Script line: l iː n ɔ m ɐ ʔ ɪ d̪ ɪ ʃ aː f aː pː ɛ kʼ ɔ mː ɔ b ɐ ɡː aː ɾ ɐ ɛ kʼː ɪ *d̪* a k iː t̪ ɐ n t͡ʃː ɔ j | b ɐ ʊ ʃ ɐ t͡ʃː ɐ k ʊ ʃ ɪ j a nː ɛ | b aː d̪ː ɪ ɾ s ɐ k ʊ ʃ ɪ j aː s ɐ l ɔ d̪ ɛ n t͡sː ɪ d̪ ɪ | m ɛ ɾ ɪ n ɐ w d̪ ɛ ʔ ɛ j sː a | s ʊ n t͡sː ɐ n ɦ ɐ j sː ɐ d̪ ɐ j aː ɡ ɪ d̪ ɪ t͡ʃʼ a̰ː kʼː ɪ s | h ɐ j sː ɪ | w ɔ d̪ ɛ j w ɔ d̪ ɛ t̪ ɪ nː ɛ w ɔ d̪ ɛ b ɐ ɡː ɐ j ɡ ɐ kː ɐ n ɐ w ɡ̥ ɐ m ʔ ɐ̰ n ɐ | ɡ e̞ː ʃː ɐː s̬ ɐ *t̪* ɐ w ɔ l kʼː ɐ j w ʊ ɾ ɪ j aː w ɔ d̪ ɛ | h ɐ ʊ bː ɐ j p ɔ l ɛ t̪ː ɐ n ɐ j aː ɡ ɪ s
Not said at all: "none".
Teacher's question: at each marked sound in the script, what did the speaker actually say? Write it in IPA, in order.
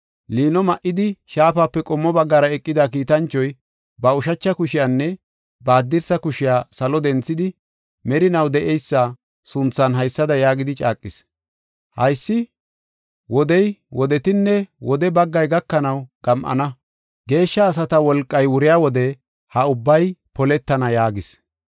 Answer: d̪, t̪

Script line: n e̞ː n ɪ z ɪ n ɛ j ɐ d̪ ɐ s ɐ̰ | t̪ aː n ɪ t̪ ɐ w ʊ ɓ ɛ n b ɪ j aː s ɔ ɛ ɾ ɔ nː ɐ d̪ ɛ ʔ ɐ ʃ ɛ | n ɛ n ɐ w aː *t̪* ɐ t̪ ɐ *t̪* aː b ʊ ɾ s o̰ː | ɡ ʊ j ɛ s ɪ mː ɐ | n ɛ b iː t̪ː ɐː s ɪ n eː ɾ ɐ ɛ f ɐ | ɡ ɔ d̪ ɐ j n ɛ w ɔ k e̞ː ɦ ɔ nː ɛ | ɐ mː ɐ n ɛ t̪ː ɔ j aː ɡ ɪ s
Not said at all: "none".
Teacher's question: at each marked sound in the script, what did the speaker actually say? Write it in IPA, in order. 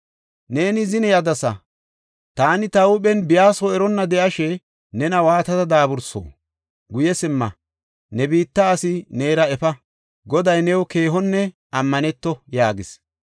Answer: t̪, d̪

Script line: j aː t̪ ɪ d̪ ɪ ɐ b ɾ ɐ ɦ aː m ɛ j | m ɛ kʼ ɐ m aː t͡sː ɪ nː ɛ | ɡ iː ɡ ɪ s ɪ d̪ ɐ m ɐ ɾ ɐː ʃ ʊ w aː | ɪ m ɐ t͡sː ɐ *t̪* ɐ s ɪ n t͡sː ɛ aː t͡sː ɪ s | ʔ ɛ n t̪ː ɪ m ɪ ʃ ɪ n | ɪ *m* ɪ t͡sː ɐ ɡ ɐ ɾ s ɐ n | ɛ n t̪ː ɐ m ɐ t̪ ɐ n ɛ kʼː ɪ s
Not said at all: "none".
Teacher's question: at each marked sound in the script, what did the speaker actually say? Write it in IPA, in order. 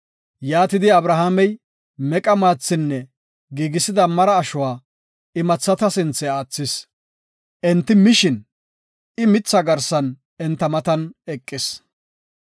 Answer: t̪, m

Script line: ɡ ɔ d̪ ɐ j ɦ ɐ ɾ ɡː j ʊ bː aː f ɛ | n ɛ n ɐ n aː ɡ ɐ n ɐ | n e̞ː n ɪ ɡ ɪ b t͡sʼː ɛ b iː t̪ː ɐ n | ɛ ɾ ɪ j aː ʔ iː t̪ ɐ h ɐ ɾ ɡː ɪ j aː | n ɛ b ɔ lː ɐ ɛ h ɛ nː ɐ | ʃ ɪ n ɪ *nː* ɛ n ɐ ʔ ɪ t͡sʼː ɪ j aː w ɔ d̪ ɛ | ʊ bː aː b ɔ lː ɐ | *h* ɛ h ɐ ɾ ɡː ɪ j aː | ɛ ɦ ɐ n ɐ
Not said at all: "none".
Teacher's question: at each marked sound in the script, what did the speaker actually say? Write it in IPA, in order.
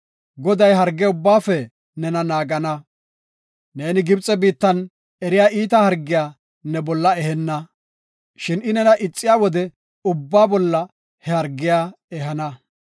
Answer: n, h

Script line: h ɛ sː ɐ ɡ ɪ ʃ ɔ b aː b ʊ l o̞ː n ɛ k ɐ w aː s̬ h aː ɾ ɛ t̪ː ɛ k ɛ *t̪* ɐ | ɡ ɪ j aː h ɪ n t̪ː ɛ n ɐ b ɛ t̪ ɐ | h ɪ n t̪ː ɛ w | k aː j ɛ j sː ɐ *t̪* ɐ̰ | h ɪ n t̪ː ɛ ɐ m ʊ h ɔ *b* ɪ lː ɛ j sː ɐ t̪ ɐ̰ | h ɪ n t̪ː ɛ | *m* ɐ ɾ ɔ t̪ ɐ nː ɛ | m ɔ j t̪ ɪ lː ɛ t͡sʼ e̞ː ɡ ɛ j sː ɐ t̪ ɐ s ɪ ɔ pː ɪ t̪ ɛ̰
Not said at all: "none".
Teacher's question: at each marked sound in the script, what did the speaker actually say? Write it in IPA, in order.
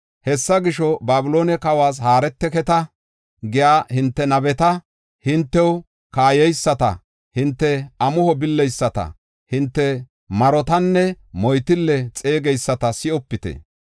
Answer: t̪, t̪, b, m

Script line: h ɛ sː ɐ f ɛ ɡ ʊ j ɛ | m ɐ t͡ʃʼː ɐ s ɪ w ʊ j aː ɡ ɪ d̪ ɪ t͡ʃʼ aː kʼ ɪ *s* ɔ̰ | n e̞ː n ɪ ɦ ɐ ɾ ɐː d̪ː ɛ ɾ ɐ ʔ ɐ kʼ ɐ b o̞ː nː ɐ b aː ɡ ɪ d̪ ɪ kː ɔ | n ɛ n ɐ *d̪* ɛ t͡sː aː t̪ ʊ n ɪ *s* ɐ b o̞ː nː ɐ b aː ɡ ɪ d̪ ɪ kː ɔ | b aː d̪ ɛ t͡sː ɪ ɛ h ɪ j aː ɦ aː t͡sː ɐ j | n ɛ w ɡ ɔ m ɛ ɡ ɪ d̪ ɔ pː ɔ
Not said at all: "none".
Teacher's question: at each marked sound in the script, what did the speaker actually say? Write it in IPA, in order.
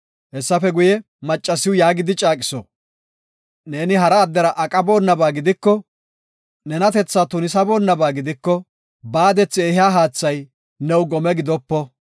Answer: s, t̪, s

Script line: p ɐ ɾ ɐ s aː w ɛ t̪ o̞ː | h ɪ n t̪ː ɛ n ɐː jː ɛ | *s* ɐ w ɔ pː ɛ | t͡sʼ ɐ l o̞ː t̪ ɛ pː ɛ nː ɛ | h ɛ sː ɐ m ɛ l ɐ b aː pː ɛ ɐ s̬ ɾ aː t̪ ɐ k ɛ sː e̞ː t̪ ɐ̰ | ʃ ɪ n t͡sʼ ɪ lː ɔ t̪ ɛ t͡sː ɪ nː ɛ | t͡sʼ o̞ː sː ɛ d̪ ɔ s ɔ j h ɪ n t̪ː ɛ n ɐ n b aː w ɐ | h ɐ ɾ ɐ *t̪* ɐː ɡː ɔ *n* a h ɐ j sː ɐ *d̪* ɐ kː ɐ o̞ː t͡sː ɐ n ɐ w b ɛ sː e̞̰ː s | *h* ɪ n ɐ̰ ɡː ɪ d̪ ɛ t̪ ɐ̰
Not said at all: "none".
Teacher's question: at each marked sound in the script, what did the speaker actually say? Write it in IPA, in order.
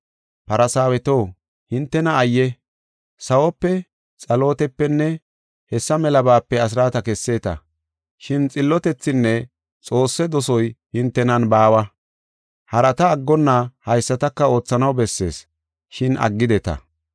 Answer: s, t̪, nː, t̪, ʃ

